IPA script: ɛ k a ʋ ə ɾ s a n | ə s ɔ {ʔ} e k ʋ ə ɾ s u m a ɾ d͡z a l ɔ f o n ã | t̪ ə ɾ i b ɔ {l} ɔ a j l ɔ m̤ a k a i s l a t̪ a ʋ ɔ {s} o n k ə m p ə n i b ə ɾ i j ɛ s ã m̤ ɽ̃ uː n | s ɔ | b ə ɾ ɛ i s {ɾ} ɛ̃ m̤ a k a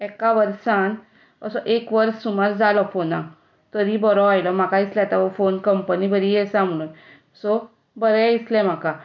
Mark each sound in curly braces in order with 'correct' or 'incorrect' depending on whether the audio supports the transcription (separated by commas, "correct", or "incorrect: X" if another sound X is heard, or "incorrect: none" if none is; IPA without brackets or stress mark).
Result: correct, incorrect: ɾ, incorrect: f, incorrect: l